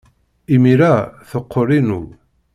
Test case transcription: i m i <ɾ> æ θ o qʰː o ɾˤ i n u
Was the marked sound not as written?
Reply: no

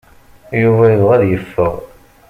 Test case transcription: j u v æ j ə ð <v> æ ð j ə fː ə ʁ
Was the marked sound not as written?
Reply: yes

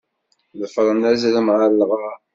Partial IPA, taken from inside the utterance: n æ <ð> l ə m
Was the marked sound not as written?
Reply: yes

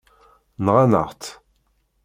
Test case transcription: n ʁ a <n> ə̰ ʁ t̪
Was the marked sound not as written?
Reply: no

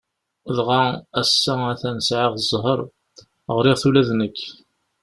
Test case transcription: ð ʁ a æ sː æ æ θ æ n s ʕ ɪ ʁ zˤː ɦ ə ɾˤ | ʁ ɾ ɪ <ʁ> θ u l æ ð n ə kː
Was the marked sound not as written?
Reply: no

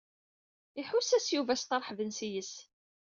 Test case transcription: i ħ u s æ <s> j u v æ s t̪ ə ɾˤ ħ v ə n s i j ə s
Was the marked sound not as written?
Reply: no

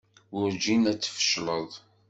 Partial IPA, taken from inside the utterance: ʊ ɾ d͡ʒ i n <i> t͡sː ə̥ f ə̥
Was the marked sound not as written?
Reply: yes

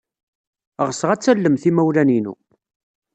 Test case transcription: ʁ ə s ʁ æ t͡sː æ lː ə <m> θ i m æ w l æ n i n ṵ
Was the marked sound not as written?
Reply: no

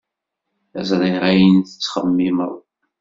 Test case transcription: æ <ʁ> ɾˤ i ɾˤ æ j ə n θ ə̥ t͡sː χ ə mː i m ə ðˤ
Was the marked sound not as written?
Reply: yes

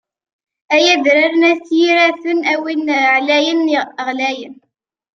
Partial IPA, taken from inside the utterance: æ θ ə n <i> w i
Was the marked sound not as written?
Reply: yes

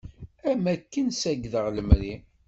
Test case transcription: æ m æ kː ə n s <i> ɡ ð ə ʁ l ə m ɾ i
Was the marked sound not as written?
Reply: yes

